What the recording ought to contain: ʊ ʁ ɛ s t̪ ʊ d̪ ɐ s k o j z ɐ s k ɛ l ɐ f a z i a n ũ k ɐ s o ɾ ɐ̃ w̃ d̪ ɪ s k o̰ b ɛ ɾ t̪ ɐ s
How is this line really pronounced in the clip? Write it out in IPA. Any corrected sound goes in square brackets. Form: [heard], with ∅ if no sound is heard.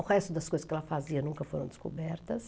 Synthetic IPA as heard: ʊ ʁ ɛ s t̪ ʊ d̪ ɐ s k o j z ɐ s k ɛ l ɐ f a z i [ɐ] n ũ k ɐ [f] o ɾ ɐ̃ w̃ d̪ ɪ s k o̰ b ɛ ɾ t̪ ɐ s